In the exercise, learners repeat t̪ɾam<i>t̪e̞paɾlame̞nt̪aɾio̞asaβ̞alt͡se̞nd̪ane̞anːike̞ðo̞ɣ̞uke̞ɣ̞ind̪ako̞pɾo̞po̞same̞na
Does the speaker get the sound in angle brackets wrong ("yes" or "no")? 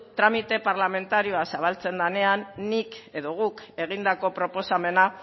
no